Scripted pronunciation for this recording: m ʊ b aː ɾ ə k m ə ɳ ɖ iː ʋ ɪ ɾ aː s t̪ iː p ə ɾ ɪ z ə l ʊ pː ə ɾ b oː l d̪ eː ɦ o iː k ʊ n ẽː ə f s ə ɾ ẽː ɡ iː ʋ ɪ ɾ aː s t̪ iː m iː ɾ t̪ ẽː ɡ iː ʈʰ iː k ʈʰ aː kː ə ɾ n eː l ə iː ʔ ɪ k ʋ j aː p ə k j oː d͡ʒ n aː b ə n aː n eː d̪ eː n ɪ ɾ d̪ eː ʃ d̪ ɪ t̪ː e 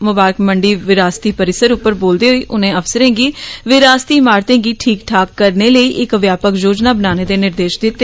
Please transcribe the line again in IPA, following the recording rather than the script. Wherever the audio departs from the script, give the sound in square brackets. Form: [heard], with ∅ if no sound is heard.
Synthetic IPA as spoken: m ʊ b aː ɾ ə k m ə ɳ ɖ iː ʋ ɪ ɾ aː s t̪ iː p ə ɾ ɪ [s] ə [ɾ] ʊ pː ə ɾ b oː l d̪ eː ɦ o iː [ʔ] ʊ n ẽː ə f s ə ɾ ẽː ɡ iː ʋ ɪ ɾ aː s t̪ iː m [aː] ɾ t̪ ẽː ɡ iː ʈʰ iː k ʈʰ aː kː ə ɾ n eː l ə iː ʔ ɪ k ʋ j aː p ə k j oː d͡ʒ n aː b ə n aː n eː d̪ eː n ɪ ɾ d̪ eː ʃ d̪ ɪ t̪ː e